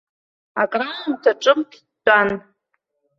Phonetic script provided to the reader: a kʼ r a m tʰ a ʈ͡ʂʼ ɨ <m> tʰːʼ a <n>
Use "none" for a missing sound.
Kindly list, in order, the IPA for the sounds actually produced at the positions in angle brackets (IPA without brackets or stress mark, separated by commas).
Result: m, n